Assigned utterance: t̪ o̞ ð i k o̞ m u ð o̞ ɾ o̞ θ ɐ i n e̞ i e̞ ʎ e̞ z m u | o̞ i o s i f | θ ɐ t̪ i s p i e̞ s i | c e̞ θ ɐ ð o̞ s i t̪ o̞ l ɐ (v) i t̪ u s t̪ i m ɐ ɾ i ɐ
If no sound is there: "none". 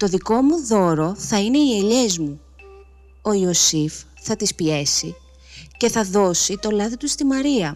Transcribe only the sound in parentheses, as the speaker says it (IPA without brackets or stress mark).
ð